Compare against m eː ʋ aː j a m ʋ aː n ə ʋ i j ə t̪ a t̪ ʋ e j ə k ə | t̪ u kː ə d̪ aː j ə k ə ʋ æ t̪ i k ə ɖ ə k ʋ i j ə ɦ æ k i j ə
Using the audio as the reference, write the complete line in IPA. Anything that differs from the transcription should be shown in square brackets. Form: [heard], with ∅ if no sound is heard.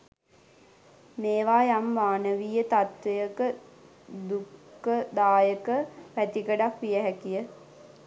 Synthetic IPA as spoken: m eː ʋ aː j a m ʋ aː n ə ʋ i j ə t̪ a t̪ ʋ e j ə k ə | [d̪] u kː ə d̪ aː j ə k ə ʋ æ t̪ i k ə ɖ [a] k ʋ i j ə ɦ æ k i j ə